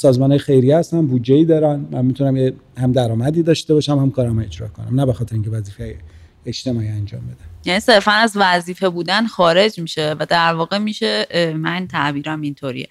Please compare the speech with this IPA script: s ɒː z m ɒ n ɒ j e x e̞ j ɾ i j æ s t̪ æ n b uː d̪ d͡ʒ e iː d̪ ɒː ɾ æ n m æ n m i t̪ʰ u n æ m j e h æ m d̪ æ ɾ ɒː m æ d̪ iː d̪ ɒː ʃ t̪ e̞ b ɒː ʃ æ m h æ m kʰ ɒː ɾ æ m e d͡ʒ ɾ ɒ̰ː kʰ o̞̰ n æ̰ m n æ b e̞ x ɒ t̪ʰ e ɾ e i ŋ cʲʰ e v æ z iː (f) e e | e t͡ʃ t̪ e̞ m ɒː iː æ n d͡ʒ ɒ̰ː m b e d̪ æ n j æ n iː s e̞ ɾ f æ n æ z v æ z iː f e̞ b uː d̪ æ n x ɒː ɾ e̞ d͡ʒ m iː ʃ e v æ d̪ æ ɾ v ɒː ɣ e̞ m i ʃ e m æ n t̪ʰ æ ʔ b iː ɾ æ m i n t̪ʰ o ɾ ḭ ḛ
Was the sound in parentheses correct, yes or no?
yes